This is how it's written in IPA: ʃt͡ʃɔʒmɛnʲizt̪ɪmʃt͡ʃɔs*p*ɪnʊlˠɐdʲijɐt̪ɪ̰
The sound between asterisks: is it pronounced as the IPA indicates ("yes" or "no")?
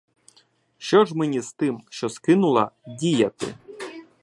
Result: no